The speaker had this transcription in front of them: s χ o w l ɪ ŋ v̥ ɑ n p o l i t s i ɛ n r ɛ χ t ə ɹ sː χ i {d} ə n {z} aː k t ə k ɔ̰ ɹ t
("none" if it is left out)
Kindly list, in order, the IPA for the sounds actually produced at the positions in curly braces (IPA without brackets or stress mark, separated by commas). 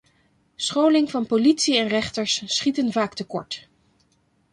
t, v